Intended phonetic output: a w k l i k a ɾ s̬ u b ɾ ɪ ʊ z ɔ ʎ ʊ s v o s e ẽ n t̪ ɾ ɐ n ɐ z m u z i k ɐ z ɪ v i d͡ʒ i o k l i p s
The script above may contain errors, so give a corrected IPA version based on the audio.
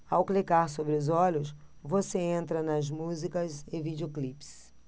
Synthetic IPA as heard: a w k l i k a ɾ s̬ o b ɾ ɪ ʊ z ɔ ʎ ʊ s v o s e ẽ n t̪ ɾ ɐ n ɐ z m u z i k ɐ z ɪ v i d͡ʒ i o k l i p s